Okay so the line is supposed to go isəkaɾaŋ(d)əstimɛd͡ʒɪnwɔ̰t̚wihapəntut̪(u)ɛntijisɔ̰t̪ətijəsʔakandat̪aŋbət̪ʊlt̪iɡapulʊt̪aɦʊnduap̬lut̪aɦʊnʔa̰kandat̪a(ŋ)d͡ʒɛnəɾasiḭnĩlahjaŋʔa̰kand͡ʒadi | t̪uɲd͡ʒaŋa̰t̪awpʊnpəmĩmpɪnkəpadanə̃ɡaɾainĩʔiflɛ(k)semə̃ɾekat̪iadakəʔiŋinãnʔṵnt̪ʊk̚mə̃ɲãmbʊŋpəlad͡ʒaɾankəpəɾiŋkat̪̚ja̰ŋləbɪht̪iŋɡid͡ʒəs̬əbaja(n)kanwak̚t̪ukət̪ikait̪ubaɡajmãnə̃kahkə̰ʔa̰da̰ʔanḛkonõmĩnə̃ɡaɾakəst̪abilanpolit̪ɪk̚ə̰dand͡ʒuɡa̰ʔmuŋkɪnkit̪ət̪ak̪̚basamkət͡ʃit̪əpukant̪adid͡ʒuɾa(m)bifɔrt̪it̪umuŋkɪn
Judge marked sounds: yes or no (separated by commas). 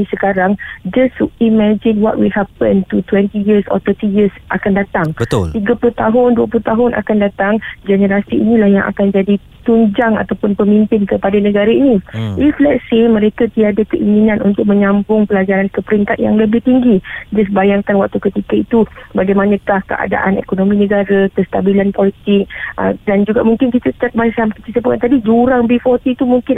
no, no, yes, no, no, no